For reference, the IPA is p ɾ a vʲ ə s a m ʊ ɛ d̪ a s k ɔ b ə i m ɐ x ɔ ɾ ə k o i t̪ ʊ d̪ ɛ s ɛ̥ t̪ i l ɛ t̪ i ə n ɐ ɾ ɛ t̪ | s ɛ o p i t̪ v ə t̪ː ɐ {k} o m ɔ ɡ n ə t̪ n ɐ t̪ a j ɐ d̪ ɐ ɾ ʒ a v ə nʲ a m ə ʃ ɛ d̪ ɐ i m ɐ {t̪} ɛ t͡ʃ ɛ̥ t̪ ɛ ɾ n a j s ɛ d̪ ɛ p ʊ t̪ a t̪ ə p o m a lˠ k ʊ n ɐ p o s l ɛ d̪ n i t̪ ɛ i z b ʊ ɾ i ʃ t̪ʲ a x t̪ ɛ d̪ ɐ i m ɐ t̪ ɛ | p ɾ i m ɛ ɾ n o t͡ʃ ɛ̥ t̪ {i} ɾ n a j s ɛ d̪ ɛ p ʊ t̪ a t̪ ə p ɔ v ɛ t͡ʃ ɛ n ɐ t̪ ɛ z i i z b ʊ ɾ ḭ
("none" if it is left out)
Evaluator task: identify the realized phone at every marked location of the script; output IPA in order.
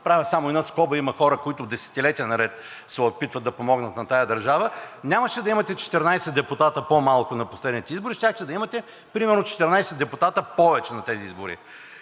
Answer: p, t̪, ɛ

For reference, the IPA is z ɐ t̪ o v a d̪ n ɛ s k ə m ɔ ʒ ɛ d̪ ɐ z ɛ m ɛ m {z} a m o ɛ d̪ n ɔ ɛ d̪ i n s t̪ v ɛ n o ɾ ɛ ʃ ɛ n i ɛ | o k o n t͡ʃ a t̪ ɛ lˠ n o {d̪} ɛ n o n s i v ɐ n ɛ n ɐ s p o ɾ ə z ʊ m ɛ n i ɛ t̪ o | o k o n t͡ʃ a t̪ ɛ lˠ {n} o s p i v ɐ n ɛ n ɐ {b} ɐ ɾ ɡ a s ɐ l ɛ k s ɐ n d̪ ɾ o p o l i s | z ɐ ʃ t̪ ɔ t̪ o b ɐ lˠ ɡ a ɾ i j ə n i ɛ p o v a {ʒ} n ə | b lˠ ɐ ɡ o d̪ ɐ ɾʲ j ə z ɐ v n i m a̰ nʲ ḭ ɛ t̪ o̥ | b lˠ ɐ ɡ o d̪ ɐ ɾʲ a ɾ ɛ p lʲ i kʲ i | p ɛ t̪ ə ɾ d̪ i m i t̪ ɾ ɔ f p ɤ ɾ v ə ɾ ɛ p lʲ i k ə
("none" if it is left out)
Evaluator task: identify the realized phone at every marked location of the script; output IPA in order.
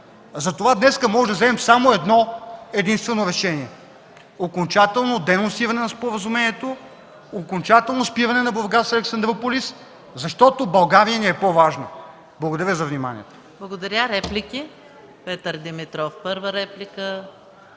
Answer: s, d̪, n, b, ʒ

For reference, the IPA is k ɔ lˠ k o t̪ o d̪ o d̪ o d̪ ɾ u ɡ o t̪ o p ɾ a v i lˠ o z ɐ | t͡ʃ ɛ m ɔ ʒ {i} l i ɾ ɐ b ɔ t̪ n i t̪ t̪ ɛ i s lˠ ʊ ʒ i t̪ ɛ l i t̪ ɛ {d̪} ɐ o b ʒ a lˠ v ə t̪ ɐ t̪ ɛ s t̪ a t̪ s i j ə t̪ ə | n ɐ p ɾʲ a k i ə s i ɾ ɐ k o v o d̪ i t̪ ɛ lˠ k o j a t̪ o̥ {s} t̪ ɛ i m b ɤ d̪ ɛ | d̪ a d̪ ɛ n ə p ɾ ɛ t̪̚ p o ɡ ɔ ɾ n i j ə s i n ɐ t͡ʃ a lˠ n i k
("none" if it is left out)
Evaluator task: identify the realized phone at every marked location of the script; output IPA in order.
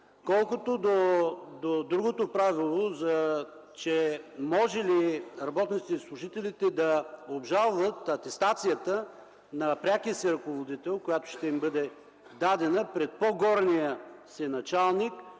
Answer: ɛ, d̪, ʃ

